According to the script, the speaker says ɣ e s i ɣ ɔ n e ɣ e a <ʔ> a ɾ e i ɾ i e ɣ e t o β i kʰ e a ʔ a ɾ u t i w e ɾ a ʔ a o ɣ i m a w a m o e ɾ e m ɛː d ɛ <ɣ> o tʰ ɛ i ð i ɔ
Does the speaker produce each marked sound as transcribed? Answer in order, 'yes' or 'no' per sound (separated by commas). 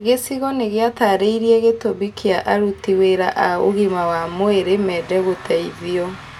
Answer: no, yes